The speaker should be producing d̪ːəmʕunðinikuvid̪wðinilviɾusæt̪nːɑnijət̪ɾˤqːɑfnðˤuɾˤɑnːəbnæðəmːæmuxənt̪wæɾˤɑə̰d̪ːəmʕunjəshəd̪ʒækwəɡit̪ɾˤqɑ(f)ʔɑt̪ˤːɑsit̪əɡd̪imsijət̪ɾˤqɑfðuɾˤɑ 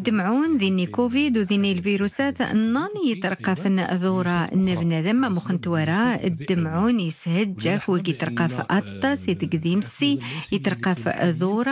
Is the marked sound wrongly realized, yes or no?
no